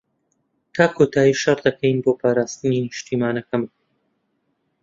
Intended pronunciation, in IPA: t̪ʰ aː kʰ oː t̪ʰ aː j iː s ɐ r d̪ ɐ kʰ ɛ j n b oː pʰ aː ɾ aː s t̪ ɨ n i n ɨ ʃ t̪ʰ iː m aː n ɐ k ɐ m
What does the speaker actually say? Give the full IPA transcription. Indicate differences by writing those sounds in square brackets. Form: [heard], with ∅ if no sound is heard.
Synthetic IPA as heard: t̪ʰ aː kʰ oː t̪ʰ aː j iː [ʃ] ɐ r d̪ ɐ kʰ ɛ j n b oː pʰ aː ɾ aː s t̪ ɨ n i n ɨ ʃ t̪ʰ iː m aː n ɐ k ɐ m